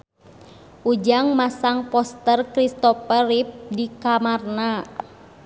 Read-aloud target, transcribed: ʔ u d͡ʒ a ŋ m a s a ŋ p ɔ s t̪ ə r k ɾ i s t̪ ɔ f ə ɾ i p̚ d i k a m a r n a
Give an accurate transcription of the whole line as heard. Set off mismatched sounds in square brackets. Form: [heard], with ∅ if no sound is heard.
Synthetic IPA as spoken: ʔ u d͡ʒ a ŋ m a s a ŋ p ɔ s t̪ ə r k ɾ i s t̪ ɔ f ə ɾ i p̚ d i k a m a r n a